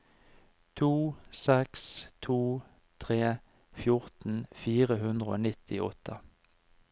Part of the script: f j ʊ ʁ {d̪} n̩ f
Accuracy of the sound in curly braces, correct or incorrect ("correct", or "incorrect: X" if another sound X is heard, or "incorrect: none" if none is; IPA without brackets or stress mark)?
incorrect: t̪